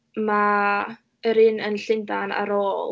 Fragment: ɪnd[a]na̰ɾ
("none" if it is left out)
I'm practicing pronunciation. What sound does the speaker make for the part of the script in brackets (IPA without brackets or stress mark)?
a